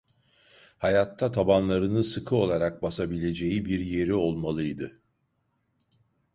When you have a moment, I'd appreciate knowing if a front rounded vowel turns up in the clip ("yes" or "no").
no